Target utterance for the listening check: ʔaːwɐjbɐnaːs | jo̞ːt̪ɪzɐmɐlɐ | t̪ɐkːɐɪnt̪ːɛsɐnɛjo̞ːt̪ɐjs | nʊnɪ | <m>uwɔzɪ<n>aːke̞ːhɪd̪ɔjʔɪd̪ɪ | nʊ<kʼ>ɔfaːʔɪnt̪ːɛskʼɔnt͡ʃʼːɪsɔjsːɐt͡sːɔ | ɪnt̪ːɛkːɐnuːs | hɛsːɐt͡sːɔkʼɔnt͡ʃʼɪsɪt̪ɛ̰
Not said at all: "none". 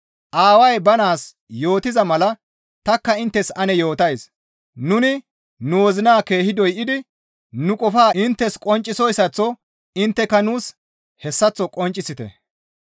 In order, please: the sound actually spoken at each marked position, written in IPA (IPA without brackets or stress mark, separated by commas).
n, n, kʼ